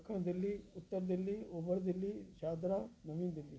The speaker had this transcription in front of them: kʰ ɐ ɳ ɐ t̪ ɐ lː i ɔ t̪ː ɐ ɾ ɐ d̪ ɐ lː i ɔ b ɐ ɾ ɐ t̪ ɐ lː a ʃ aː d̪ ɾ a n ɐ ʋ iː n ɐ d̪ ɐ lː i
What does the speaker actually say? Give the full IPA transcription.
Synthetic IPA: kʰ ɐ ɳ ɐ d̪ ɐ lː i u t̪ː ɐ ɾ ɐ d̪ ɐ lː i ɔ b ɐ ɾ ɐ d̪ ɐ lː i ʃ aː d̪ ɾ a n ɐ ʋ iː n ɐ d̪ ɐ lː i